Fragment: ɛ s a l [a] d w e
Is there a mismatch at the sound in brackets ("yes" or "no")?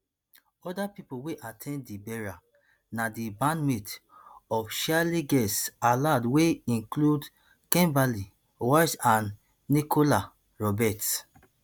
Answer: no